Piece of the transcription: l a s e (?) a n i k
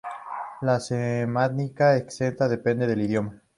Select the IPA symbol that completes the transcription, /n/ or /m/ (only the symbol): m